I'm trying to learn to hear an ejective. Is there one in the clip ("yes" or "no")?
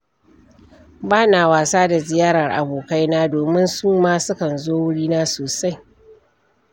no